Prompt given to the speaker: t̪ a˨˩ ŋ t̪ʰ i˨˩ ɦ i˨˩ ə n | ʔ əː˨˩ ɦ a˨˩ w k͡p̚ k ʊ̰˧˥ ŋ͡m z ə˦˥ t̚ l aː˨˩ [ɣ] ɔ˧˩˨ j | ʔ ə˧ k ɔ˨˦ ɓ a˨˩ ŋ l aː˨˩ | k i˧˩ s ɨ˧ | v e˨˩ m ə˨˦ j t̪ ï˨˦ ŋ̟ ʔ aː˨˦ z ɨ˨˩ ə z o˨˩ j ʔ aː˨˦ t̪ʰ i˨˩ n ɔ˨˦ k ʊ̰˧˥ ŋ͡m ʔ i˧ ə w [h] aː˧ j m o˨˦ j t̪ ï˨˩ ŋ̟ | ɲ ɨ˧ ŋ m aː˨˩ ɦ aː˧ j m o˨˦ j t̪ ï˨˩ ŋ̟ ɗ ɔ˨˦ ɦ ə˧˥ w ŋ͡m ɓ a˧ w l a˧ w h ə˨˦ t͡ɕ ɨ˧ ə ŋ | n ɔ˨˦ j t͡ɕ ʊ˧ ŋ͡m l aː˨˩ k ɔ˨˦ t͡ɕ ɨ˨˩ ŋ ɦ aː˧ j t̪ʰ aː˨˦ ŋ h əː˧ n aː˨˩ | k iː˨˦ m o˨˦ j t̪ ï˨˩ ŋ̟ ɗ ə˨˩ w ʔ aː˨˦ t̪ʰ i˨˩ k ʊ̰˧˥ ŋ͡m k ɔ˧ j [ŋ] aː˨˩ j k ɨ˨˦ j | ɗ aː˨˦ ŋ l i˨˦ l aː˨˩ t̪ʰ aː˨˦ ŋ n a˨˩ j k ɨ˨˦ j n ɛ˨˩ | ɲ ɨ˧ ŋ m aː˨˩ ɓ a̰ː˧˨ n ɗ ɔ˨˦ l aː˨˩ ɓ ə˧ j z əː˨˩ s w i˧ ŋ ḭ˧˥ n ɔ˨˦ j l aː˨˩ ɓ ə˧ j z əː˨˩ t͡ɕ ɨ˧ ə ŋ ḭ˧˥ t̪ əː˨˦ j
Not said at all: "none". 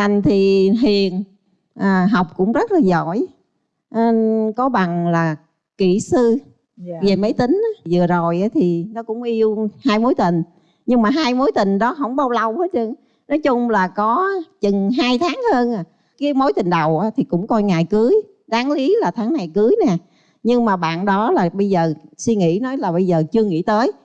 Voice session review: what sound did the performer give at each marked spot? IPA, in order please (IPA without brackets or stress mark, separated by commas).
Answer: z, h, ŋ